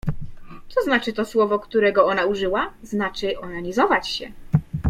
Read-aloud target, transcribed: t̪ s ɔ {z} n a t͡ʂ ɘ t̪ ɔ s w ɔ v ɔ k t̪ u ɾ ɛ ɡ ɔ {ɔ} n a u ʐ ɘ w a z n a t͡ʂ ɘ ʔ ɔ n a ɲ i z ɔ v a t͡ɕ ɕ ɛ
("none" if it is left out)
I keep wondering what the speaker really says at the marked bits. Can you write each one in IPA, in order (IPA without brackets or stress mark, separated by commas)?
z, ɔ